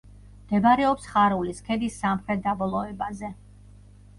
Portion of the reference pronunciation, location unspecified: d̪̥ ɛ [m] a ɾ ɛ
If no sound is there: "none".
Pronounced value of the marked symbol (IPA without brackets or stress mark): b